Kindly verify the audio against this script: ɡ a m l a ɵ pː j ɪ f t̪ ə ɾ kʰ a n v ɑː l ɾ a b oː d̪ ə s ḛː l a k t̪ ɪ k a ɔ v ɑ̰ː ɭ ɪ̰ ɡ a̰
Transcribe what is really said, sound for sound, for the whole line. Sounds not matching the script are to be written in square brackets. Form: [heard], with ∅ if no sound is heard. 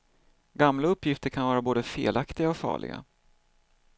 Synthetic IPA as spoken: ɡ a m l a ɵ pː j ɪ f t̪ ə ɾ kʰ a n v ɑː [∅] ɾ a b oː d̪ ə [f] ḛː l a k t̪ ɪ [ɡ] a ɔ [f] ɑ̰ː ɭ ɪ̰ ɡ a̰